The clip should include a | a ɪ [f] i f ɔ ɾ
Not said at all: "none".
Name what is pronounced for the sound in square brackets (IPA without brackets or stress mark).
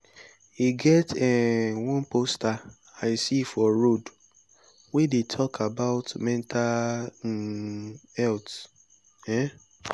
s